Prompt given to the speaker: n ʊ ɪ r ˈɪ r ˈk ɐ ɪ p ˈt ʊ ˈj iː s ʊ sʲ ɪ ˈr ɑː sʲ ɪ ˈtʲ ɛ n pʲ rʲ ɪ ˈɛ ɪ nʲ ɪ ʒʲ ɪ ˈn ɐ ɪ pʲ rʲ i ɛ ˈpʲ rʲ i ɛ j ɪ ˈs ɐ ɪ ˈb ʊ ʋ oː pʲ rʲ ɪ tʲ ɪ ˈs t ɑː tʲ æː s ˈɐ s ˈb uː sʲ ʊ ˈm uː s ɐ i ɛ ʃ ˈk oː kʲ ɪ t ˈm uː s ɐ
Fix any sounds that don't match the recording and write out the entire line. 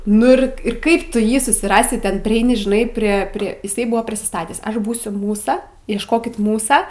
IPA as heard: n ʊ ɪ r ˈɪ r ˈk ɐ ɪ p ˈt ʊ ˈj iː s ʊ sʲ ɪ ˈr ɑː sʲ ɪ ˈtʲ ɛ n pʲ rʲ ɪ ˈɛ ɪ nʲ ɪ ʒʲ ɪ ˈn ɐ ɪ pʲ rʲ i ɛ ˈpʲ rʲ i ɛ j ɪ ˈs ɐ ɪ ˈb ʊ ʋ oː pʲ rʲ ɪ sʲ ɪ ˈs t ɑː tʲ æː s ˈɐ ʃ ˈb uː sʲ ʊ ˈm uː s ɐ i ɛ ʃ ˈk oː kʲ ɪ t ˈm uː s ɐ